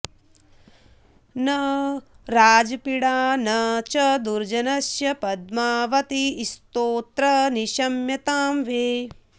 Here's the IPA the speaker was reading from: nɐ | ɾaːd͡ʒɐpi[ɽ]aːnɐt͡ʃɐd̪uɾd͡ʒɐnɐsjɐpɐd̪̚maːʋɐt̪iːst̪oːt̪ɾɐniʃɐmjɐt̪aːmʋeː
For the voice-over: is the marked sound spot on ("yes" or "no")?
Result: yes